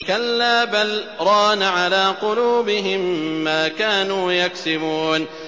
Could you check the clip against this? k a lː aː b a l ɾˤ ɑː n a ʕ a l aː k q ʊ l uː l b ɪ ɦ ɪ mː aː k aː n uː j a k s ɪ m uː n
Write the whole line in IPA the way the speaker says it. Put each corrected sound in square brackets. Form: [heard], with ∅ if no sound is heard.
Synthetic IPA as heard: k a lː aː b a l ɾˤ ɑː n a ʕ a l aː [∅] q ʊ l uː [∅] b ɪ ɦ ɪ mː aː k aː n uː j a k s ɪ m uː n